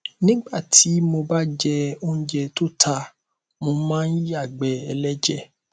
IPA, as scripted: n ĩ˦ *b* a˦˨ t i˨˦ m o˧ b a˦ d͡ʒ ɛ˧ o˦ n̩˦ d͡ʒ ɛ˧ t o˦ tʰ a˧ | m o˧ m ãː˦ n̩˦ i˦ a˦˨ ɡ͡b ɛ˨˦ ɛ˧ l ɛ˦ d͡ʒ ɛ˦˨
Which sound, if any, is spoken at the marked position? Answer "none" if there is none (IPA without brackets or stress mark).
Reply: ɡ͡b